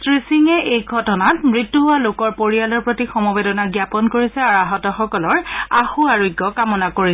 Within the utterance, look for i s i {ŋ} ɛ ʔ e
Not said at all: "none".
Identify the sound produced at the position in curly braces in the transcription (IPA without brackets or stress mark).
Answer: ŋ